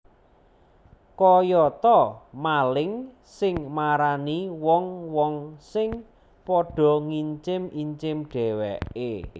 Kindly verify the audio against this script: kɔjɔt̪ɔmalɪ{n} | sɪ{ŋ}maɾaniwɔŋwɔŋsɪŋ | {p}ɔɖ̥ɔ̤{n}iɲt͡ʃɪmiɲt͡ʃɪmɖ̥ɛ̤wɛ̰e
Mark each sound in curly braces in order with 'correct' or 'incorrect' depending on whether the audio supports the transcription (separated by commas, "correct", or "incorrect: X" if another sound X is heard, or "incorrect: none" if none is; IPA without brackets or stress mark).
incorrect: ŋ, correct, correct, incorrect: ŋ